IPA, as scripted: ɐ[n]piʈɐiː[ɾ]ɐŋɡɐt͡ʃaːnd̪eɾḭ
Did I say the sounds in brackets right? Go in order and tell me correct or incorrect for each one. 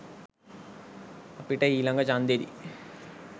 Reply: incorrect, incorrect

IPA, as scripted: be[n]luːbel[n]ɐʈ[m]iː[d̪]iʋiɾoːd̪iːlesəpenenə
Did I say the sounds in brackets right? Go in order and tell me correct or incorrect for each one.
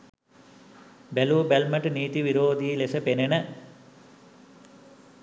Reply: incorrect, incorrect, incorrect, incorrect

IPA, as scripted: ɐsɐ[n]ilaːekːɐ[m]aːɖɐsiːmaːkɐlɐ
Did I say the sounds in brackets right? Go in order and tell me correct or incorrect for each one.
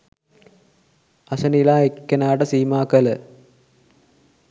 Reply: correct, incorrect

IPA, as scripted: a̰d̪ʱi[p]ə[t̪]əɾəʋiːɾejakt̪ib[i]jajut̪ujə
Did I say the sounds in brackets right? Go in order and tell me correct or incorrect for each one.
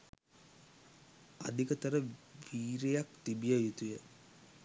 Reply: incorrect, correct, correct

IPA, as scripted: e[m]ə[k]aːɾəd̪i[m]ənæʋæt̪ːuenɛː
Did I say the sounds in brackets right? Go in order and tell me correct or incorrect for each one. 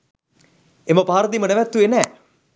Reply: correct, incorrect, correct

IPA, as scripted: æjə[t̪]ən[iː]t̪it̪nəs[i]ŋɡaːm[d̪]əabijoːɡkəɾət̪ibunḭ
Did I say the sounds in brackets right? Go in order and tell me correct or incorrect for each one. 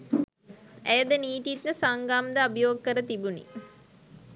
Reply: incorrect, correct, incorrect, correct

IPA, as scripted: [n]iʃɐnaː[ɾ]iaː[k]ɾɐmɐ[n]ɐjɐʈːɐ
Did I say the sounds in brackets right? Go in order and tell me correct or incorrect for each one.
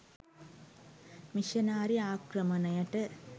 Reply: incorrect, correct, correct, correct

